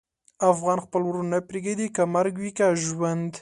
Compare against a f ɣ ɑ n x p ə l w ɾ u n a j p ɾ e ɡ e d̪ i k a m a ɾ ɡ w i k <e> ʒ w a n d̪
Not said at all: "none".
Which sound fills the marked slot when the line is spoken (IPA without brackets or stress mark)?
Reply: a